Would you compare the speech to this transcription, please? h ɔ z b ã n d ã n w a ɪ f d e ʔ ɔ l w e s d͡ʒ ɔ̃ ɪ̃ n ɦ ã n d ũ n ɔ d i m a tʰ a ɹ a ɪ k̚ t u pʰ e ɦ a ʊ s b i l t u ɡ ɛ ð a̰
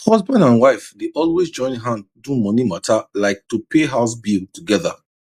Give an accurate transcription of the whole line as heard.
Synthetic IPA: h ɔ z b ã n d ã n w a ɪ f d e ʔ ɔ l w e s d͡ʒ ɔ̃ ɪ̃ n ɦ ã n d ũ m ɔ n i m a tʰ a l a ɪ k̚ t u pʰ e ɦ a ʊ s b i l t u ɡ ɛ ð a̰